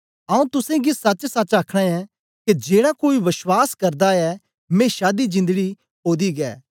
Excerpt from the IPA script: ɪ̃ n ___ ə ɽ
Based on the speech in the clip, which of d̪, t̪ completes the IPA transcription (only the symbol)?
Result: d̪